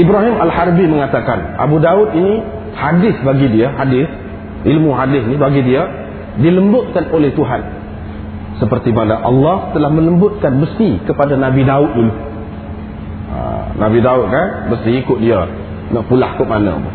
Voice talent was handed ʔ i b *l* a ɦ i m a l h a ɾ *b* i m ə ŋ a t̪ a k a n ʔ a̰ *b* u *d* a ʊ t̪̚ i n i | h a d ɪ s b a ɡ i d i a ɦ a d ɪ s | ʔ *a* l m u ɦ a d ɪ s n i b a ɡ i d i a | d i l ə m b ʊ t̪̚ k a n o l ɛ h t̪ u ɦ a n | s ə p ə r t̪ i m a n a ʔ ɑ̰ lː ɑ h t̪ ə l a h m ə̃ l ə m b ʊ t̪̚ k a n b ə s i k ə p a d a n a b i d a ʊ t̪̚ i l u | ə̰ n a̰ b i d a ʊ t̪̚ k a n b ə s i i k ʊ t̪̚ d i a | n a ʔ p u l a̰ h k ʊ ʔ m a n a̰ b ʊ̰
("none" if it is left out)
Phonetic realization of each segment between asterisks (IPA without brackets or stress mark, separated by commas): ɾ, b, b, d, i